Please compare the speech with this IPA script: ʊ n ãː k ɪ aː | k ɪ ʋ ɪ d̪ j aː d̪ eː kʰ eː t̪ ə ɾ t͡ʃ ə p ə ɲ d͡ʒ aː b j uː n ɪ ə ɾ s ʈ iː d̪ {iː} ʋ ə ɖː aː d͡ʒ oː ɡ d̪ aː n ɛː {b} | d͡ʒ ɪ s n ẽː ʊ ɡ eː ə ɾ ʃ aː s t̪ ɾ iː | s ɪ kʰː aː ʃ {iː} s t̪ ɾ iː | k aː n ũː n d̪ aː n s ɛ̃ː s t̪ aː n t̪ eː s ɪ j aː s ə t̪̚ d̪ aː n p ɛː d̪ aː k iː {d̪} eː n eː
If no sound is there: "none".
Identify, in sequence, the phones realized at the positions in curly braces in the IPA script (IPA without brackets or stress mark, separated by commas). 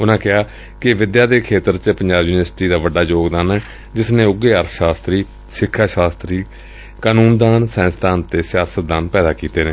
aː, none, aː, t̪